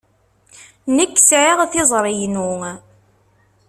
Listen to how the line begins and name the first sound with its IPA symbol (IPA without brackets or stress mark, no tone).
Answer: n